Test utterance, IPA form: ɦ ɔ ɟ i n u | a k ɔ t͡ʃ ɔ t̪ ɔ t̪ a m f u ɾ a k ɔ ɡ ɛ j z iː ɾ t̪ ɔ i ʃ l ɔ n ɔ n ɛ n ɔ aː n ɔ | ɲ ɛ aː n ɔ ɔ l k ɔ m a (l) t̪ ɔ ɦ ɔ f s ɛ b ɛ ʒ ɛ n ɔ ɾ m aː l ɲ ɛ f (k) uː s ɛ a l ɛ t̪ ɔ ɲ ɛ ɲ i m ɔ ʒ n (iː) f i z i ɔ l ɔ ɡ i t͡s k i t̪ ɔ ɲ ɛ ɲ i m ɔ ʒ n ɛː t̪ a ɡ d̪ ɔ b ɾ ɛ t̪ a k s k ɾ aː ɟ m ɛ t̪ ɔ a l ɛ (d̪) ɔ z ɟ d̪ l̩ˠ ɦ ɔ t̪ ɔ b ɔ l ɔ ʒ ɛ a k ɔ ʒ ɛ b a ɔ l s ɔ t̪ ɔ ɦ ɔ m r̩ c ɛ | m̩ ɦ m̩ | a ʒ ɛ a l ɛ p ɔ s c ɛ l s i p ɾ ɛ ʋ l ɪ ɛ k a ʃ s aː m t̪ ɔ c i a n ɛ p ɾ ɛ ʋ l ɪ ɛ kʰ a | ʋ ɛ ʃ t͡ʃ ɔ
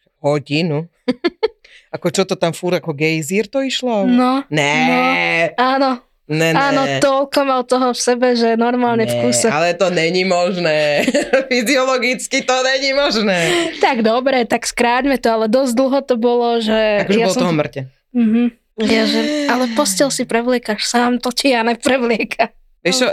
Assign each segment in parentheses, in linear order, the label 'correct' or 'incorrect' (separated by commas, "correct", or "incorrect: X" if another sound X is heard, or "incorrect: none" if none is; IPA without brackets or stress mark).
correct, correct, incorrect: ɛː, correct